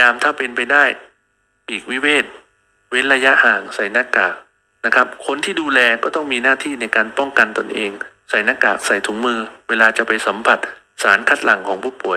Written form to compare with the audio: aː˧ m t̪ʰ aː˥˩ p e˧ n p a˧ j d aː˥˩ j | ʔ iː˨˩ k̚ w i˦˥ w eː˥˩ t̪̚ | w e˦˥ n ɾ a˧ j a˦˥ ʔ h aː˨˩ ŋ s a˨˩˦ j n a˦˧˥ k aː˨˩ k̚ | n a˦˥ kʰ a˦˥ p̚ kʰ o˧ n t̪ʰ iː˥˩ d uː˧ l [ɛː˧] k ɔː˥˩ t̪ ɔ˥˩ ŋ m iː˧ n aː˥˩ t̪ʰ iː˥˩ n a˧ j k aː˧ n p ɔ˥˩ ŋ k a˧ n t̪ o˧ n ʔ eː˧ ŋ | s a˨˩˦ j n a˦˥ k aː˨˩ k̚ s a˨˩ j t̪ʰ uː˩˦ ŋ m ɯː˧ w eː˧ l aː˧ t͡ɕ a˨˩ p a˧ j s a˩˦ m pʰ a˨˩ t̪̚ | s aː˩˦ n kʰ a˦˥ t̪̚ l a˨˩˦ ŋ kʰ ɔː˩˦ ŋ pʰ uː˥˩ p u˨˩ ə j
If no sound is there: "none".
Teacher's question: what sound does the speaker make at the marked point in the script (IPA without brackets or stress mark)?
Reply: ɛː˧